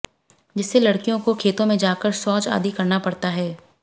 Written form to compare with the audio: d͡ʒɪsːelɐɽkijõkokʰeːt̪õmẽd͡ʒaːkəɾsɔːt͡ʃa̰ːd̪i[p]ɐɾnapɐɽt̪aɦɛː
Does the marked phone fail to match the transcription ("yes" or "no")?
yes